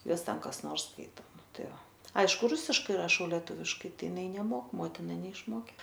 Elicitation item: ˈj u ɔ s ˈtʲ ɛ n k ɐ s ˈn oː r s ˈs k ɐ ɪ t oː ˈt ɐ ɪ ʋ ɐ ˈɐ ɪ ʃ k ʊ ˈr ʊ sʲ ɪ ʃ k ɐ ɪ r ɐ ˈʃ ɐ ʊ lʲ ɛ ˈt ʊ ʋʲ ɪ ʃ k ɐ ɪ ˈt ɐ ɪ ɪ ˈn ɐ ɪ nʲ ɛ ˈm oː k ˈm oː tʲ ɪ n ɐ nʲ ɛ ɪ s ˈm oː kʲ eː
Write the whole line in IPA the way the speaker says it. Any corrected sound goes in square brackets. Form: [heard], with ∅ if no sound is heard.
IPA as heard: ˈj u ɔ s ˈtʲ ɛ n k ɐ s ˈn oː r s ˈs k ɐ ɪ t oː ˈt ɐ ɪ ʋ ɐ ˈɐ ɪ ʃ k ʊ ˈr ʊ sʲ ɪ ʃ k ɐ ɪ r ɐ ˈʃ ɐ ʊ lʲ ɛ ˈt ʊ ʋʲ ɪ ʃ k ɐ ɪ ˈt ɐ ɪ ɪ ˈn ɐ ɪ nʲ ɛ ˈm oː k ˈm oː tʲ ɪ n ɐ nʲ ɛ ɪ [ʃ] ˈm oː kʲ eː